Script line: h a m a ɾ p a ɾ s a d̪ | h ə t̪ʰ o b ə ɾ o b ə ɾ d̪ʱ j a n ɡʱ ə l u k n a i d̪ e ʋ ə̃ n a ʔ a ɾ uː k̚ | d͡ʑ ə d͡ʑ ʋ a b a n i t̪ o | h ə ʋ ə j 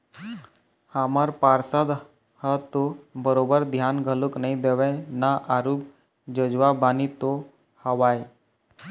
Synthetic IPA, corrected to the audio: h a m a ɾ p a ɾ s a d̪ | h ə t̪ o b ə ɾ o b ə ɾ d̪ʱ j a n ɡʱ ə l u k n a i d̪ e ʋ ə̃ n a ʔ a ɾ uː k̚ | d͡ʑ ə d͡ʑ ʋ a b a n i t̪ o | h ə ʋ a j